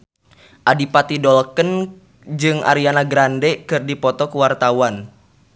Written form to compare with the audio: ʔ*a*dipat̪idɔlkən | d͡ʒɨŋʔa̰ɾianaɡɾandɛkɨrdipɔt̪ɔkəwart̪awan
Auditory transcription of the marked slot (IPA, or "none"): a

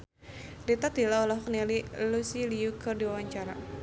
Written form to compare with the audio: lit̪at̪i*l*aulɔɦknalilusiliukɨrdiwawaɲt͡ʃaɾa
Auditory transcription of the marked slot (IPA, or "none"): l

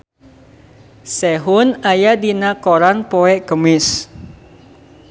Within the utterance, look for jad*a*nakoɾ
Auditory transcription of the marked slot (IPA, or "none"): i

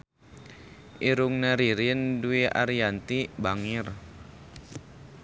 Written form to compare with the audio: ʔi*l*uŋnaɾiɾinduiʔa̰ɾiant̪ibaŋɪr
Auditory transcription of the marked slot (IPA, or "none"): ɾ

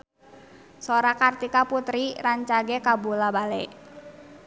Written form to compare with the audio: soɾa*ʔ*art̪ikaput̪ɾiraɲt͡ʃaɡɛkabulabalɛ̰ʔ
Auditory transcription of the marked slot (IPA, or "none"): k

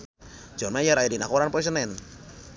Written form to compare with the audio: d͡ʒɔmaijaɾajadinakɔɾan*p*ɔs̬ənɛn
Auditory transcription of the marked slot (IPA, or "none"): p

